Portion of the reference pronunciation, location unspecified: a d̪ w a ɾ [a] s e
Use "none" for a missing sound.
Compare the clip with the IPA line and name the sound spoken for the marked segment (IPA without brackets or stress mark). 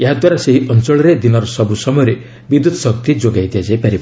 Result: a